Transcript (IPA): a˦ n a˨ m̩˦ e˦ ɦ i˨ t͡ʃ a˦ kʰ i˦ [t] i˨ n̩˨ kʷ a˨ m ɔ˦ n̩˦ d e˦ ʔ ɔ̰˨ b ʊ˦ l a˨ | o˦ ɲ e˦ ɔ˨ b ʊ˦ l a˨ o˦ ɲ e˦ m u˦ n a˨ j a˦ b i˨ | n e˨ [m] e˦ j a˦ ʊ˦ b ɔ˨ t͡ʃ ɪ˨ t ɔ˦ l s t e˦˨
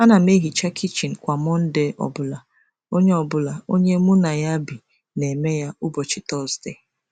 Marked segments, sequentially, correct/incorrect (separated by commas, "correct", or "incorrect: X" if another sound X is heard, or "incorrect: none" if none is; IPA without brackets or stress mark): incorrect: t͡ʃ, correct